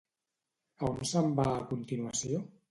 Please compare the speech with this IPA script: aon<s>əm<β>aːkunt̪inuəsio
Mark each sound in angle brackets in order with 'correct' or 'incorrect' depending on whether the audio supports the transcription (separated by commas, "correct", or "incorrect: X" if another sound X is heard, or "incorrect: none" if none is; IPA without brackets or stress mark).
correct, incorrect: b